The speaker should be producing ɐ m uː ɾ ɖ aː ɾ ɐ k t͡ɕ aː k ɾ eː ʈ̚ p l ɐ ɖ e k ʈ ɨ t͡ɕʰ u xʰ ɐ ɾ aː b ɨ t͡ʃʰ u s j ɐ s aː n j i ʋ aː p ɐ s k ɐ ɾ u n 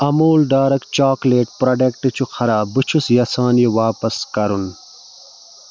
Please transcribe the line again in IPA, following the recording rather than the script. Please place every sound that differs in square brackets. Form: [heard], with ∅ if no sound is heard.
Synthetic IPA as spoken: ɐ m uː [l] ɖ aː ɾ ɐ k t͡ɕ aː k [l] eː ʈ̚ p [ɾ] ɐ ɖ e k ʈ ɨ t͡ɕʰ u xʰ ɐ ɾ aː b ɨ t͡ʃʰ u s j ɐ s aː n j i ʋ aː p ɐ s k ɐ ɾ u n

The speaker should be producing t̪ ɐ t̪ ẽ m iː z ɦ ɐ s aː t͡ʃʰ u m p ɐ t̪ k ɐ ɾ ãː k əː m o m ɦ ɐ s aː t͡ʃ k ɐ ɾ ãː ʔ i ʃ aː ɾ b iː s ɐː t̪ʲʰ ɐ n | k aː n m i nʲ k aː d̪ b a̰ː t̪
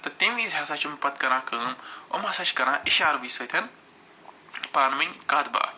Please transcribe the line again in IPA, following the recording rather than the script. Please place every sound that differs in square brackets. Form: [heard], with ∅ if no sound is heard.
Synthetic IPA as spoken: t̪ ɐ t̪ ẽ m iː z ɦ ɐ s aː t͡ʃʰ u m p ɐ t̪ k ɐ ɾ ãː k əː m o m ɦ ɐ s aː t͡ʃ k ɐ ɾ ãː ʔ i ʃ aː ɾ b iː s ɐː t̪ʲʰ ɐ n | [p] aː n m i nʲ k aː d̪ b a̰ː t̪

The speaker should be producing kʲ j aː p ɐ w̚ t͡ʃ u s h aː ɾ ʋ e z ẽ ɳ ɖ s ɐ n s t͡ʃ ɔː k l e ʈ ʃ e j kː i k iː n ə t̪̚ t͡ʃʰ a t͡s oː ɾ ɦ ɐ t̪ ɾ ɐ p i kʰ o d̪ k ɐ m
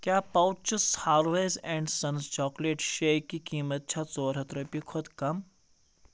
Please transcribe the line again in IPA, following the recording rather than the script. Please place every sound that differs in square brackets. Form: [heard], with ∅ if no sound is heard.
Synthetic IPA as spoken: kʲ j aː p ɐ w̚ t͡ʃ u s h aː ɾ ʋ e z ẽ ɳ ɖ s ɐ n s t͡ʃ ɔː k l e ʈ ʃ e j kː i k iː [m] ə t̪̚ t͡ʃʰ a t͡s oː ɾ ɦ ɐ t̪ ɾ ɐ p i kʰ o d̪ k ɐ m

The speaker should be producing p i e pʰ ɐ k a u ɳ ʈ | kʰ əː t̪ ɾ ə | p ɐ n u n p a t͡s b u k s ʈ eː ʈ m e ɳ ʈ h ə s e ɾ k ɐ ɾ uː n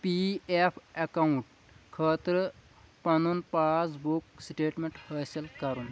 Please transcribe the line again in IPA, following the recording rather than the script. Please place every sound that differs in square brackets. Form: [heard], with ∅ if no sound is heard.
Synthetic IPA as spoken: p i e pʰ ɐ k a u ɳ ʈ | kʰ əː t̪ ɾ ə | p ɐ n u n p a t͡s b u k s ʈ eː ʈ m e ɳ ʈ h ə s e [l] k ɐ ɾ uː n

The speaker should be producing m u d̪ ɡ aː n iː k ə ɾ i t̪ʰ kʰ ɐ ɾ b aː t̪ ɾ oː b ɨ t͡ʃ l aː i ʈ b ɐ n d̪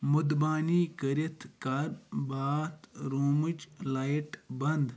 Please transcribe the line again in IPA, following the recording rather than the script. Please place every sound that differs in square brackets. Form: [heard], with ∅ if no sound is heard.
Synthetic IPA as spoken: m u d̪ [b] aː n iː k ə ɾ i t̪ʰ [k] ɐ ɾ b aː t̪ ɾ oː [m] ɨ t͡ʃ l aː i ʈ b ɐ n d̪

